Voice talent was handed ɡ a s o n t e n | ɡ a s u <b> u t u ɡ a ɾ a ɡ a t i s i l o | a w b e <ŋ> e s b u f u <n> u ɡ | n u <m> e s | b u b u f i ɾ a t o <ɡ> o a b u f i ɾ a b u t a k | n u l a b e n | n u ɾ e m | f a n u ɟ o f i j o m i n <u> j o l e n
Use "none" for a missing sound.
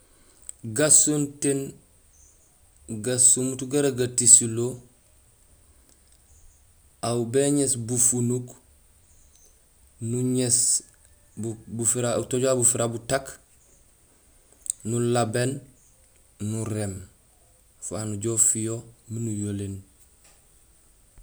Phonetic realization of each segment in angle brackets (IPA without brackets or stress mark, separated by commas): m, ɲ, n, ɲ, ɟ, u